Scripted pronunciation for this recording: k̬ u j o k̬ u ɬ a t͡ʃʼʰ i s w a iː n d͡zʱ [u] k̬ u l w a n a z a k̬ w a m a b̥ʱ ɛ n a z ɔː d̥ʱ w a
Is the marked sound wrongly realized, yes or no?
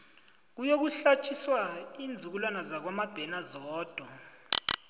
no